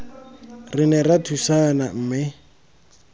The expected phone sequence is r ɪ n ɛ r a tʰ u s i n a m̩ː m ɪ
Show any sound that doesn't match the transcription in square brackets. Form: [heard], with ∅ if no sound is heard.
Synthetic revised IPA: r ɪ n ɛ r a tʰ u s [a] n a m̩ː m ɪ